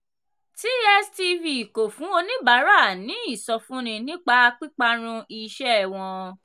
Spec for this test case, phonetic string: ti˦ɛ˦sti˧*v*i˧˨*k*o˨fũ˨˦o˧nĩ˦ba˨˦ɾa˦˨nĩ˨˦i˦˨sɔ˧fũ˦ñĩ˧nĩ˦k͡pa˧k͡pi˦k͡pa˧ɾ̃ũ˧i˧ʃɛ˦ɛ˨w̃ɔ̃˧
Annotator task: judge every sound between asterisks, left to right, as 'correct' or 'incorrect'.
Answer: correct, correct

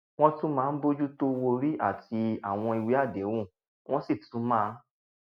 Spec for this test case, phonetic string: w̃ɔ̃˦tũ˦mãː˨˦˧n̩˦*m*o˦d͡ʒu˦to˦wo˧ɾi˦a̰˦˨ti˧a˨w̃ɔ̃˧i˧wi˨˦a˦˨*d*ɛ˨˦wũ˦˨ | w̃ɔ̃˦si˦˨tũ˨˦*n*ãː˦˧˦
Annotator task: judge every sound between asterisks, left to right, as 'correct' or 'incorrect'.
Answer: incorrect: b, correct, incorrect: m

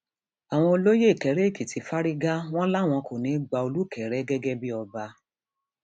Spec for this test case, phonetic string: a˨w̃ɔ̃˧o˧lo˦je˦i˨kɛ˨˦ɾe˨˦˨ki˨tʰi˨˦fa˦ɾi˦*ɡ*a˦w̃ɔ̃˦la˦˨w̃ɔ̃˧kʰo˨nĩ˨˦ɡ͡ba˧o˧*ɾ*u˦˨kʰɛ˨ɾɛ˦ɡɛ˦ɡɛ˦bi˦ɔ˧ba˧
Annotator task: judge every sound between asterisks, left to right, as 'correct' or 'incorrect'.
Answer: correct, incorrect: l

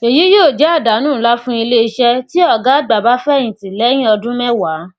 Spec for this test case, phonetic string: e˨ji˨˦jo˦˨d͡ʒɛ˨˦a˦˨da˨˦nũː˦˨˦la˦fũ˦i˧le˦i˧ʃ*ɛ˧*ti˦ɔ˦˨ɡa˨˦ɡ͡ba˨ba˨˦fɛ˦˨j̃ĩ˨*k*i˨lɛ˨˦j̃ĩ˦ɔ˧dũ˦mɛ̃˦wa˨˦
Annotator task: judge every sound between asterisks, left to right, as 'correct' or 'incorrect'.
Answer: correct, incorrect: t

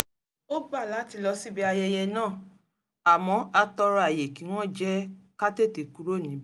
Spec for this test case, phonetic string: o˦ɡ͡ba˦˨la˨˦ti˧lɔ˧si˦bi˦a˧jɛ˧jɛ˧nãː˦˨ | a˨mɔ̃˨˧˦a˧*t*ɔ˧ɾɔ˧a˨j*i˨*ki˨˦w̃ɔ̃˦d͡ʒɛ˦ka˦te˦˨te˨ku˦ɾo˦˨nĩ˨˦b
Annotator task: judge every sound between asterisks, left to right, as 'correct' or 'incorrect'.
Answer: correct, incorrect: e˨

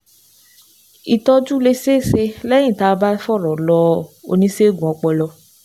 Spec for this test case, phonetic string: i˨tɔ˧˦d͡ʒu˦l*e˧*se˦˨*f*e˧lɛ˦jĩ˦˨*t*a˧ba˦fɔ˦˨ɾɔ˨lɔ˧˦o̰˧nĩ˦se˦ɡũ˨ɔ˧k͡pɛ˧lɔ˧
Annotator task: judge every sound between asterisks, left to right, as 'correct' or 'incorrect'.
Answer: correct, incorrect: s, correct

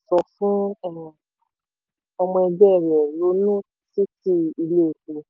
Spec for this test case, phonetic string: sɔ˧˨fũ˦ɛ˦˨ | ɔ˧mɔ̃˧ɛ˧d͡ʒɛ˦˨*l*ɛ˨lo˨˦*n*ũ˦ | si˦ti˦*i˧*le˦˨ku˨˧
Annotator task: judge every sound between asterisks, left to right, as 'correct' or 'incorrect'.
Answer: incorrect: ɾ, correct, correct

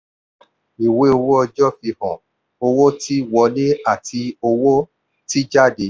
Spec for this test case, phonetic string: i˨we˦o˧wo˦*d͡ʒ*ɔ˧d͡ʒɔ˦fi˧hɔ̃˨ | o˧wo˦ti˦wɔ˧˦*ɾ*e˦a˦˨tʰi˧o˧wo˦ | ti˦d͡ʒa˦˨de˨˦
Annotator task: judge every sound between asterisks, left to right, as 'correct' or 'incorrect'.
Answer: incorrect: none, incorrect: l

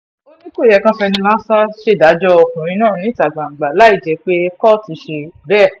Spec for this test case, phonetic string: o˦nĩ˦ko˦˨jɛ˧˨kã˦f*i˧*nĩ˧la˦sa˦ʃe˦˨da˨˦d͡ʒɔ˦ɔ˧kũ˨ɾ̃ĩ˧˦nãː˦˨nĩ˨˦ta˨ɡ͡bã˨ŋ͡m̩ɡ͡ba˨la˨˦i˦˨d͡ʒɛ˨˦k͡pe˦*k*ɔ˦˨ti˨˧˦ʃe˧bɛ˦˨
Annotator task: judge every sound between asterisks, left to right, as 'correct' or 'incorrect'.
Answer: incorrect: ɛ˧, correct

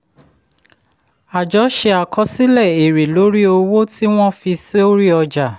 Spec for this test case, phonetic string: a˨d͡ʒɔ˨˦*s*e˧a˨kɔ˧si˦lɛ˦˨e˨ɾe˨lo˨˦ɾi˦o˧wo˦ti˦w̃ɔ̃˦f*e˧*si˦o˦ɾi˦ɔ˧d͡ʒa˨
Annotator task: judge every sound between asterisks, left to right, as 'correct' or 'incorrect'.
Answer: incorrect: ʃ, incorrect: i˧

